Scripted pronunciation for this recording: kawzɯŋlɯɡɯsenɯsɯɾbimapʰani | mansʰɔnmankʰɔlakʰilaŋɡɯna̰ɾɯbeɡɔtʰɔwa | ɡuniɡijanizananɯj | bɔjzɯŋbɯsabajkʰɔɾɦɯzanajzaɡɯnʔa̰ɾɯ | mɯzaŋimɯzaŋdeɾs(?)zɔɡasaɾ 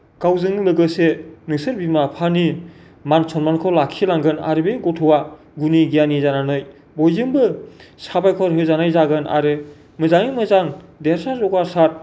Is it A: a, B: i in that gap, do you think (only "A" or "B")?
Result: A